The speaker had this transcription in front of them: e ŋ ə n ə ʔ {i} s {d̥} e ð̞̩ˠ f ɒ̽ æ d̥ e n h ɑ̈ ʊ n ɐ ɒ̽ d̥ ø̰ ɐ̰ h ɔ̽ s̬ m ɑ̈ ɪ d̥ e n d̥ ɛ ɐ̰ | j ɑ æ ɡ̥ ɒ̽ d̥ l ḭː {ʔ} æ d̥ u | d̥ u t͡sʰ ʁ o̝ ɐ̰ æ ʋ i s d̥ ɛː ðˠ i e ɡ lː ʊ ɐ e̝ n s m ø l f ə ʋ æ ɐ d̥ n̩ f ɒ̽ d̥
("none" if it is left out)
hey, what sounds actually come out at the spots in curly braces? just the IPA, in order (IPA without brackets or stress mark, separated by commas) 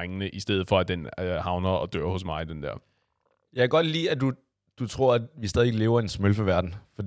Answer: i, d̥, none